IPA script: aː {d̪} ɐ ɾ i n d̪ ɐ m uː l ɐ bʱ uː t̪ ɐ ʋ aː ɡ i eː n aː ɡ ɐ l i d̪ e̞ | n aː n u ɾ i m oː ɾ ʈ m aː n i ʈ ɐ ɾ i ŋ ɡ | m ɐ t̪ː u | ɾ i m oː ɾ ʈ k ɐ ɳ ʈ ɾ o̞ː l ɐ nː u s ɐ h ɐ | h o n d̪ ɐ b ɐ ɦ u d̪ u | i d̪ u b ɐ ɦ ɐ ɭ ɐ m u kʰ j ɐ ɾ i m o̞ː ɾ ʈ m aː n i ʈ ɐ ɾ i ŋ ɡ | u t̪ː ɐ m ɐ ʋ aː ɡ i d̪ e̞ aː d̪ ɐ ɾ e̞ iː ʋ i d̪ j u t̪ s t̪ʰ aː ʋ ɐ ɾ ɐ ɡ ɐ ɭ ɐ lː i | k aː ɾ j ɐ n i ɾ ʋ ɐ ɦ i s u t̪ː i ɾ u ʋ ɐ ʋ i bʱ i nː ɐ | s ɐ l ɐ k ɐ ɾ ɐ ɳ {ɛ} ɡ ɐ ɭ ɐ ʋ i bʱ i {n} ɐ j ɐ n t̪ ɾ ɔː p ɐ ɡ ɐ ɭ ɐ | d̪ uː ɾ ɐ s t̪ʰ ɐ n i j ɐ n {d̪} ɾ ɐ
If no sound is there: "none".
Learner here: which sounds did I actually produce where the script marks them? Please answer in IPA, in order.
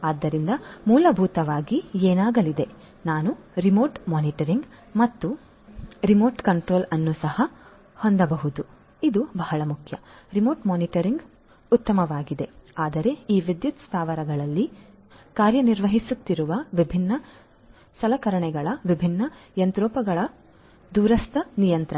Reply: d̪ː, ɛ, nː, t̪

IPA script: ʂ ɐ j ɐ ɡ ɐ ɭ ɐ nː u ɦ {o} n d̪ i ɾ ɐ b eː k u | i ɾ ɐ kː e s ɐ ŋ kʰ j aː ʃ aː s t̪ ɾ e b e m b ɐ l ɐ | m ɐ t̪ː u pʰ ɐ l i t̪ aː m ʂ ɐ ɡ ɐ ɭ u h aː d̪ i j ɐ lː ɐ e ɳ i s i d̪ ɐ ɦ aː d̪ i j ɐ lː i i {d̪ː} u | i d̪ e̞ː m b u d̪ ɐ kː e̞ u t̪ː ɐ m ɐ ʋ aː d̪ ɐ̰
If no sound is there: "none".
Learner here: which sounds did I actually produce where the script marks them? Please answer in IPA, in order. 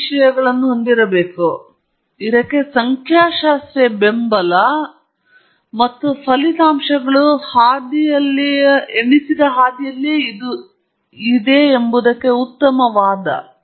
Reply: o, d̪

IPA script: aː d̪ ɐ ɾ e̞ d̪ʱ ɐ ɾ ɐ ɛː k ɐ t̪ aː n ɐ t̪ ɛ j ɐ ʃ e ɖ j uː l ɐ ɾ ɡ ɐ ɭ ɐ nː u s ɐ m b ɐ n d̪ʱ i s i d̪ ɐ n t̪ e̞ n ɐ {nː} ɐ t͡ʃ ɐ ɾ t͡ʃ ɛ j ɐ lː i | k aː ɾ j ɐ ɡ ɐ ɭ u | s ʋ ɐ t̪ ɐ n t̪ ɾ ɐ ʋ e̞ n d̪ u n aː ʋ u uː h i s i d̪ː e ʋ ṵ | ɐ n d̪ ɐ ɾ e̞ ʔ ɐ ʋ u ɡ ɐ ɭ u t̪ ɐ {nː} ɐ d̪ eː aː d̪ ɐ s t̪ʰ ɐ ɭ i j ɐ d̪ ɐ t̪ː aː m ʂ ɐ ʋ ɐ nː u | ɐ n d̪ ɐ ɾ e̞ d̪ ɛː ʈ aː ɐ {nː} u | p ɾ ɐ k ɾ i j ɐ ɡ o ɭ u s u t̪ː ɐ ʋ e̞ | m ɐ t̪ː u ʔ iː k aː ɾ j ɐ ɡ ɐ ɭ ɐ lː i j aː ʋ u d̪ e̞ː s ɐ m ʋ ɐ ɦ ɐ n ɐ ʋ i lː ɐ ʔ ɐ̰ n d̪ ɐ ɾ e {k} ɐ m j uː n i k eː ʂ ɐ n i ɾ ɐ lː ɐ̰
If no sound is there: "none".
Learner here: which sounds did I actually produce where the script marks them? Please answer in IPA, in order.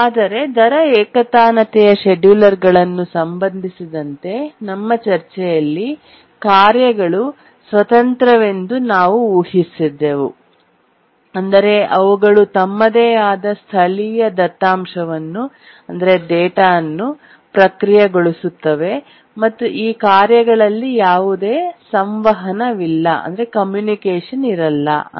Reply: mː, mː, nː, k

